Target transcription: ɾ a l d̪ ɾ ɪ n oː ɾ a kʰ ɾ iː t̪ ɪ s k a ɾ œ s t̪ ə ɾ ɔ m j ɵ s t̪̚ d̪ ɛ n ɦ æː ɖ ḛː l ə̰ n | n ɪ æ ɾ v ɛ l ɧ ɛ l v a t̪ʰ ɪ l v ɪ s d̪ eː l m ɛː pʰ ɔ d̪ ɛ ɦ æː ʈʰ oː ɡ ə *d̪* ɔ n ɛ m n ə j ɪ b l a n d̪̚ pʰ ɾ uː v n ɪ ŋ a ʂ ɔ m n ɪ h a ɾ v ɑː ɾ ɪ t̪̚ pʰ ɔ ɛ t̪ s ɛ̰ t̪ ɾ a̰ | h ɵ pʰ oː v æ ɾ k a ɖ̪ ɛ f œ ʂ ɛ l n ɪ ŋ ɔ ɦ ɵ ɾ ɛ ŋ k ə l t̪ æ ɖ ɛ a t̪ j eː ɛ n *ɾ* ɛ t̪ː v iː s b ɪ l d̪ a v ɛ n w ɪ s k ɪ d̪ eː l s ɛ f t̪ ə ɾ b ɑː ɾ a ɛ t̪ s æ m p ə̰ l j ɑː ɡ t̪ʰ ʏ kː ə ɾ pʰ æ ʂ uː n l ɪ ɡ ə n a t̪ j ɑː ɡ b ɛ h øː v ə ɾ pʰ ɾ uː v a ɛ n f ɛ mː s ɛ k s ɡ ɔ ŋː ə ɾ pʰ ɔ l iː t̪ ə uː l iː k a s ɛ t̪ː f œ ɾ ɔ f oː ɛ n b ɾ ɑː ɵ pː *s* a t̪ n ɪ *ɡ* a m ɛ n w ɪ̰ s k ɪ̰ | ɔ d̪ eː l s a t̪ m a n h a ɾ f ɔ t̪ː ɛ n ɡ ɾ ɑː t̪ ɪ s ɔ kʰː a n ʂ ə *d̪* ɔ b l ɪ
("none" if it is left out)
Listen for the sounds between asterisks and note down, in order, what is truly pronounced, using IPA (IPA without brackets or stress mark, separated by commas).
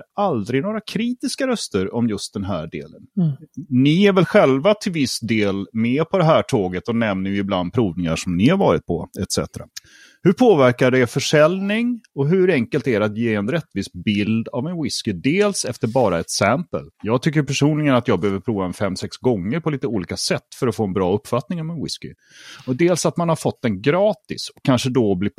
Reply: t̪, ɾ, f, ŋ, d̪